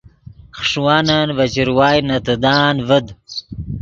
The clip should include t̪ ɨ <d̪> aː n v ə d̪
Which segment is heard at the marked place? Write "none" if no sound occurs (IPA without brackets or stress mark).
d̪